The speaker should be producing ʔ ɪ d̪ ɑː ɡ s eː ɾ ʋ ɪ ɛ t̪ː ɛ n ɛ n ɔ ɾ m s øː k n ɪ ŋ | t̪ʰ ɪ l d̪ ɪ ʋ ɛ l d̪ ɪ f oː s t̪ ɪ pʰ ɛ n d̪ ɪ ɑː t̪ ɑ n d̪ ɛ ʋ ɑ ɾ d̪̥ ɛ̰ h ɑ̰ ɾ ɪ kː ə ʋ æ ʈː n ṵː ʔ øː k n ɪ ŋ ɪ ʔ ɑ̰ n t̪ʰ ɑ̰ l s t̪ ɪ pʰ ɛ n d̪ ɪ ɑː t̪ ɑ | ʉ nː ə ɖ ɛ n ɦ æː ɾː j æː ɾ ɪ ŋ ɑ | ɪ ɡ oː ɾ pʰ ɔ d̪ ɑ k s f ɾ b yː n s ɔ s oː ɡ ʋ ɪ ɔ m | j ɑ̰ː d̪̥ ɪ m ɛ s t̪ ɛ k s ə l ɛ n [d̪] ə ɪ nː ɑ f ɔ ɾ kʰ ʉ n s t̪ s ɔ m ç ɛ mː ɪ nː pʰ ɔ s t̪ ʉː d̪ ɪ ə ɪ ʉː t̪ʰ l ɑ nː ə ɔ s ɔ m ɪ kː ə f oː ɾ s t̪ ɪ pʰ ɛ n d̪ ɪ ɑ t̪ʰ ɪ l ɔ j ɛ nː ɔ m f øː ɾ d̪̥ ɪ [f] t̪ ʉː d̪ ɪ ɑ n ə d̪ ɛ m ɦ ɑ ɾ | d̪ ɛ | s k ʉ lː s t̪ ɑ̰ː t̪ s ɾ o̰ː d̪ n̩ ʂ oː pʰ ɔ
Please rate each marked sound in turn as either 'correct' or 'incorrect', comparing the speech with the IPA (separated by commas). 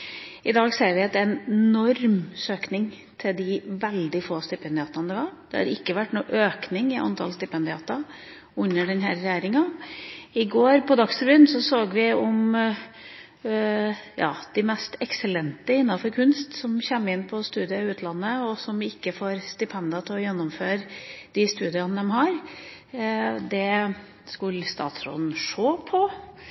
incorrect, incorrect